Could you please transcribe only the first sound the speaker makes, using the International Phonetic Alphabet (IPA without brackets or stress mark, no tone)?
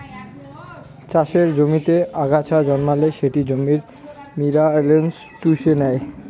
t͡ɕ